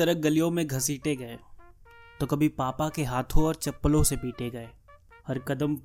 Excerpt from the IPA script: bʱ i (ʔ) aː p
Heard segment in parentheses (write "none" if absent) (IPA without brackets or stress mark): p